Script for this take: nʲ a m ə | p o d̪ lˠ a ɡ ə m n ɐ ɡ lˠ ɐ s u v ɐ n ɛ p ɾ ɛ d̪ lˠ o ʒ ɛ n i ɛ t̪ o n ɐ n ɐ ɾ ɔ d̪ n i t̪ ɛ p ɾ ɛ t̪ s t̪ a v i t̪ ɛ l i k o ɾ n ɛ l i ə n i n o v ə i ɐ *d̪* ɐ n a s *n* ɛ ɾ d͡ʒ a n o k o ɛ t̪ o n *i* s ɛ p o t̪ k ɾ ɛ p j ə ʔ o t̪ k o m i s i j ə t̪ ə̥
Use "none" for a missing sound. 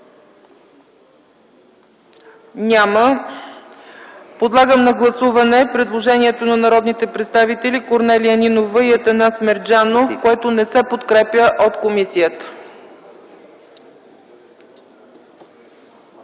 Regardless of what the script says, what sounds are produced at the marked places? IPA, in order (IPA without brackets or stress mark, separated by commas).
t̪, m, ɛ